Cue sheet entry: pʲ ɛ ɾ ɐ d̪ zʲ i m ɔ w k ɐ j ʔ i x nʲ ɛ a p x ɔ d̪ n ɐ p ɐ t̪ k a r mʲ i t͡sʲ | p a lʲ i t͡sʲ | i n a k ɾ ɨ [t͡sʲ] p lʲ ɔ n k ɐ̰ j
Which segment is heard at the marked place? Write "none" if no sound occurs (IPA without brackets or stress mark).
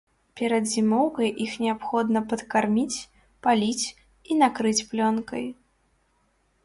t͡sʲ